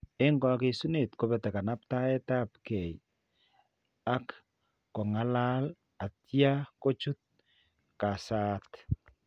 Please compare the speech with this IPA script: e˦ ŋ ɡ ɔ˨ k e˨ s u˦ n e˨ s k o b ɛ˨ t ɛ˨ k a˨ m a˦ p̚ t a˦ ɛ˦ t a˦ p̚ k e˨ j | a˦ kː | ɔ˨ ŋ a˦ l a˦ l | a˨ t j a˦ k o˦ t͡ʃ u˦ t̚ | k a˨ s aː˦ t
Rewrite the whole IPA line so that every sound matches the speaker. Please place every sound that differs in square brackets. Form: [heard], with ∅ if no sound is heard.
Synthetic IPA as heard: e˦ ŋ ɡ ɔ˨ k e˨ s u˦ n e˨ [t] k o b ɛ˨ t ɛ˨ k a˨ [n] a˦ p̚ t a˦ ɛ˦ t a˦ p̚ k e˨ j | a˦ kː | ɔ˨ ŋ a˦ l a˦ l | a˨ t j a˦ k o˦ t͡ʃ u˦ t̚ | k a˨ s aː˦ t

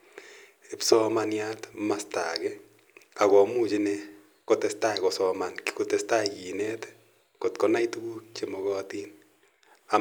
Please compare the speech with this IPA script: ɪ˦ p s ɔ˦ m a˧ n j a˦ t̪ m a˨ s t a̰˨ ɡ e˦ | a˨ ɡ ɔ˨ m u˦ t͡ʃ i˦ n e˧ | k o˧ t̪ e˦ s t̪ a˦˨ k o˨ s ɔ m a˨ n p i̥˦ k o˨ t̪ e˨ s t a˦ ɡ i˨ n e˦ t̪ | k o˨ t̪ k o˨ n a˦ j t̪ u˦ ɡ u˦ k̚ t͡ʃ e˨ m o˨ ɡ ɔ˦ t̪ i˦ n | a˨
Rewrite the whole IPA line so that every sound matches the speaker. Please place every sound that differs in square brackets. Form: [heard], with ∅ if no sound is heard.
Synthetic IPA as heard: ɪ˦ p s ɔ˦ m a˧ n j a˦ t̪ m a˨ s t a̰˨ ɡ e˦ | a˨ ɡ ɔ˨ m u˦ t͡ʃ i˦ n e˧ | k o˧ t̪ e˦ s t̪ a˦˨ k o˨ s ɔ m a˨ n [k] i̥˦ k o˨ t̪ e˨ s t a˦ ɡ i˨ n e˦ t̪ | k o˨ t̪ k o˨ n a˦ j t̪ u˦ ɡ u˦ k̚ t͡ʃ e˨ m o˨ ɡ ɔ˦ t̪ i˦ n | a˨

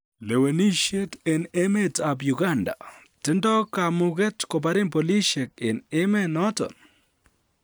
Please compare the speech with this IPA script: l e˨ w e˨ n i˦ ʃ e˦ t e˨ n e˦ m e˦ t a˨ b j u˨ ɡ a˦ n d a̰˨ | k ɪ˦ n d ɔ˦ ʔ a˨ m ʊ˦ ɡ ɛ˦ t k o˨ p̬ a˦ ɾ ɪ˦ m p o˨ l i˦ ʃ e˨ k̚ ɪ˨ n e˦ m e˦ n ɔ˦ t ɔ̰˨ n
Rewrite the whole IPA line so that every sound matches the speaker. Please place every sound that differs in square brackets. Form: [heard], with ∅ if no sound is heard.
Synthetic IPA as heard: l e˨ w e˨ n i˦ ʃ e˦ t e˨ n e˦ m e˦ t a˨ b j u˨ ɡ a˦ n d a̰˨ | [t] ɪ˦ n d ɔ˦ [k] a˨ m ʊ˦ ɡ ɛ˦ t k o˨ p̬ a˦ ɾ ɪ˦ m p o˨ l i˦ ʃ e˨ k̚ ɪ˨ n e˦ m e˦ n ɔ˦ t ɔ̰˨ n

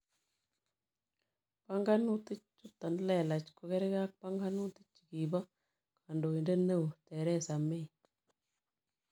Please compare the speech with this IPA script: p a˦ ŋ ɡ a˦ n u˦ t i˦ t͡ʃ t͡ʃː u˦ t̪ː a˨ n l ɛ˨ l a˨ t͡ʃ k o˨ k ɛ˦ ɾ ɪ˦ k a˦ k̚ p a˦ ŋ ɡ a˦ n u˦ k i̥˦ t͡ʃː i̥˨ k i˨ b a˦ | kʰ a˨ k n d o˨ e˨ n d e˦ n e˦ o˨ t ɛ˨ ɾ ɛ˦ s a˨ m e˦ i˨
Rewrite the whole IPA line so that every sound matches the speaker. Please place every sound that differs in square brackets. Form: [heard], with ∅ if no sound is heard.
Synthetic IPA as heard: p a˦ ŋ ɡ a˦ n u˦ t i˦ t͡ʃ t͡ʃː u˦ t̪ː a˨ n l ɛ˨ l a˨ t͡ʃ k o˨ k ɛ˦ ɾ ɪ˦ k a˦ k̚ p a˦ ŋ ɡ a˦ n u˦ [t] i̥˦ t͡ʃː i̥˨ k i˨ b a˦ | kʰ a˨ [∅] n d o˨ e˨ n d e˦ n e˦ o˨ t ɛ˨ ɾ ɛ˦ s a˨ m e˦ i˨

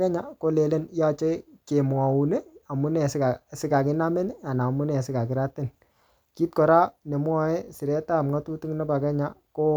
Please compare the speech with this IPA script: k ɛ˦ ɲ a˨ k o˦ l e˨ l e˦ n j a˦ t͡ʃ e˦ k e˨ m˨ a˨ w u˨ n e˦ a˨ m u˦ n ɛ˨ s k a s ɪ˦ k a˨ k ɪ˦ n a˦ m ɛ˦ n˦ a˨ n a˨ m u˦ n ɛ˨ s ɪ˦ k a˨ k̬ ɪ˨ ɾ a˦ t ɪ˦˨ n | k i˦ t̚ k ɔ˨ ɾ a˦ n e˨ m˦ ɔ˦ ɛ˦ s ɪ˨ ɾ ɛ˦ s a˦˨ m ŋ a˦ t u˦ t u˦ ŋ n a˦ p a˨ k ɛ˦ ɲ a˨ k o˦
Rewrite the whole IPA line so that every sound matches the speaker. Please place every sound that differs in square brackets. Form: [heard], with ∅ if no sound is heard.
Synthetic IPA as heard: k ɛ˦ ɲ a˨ k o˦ l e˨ l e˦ n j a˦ t͡ʃ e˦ k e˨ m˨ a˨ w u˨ n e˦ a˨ m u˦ n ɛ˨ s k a s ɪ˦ k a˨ k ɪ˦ n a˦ m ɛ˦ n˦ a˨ n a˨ m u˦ n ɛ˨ s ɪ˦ k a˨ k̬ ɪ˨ ɾ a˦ t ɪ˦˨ n | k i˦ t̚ k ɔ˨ ɾ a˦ n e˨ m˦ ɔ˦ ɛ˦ s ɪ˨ ɾ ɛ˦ [t] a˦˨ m ŋ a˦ t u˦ t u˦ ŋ n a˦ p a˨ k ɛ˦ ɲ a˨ k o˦

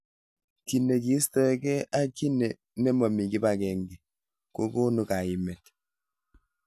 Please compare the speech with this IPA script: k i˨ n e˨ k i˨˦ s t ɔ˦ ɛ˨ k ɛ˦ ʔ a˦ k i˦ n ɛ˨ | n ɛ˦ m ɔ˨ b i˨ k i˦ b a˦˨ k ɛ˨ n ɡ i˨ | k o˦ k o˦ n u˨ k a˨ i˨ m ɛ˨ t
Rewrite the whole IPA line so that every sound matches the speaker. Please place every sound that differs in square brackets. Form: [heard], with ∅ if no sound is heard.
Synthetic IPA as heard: k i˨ n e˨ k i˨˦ s t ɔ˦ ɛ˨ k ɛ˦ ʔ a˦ k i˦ n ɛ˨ | n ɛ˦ m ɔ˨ [m] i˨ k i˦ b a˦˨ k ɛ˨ [ŋ] ɡ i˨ | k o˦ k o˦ n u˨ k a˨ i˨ m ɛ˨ t

